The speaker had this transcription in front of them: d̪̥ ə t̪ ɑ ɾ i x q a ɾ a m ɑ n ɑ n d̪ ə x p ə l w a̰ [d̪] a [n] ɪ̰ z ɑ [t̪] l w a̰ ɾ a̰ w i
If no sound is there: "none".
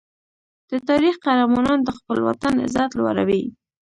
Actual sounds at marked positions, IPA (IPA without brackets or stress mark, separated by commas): t̪, n, t̪